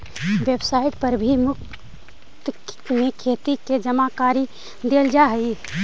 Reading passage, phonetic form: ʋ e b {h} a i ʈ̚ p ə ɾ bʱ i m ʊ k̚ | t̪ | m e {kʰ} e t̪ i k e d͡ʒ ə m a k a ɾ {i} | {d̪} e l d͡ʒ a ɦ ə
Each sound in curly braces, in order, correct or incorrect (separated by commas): incorrect, correct, correct, correct